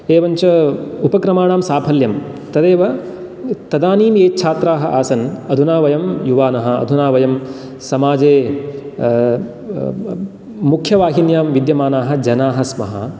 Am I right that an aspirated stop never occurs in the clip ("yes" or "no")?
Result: no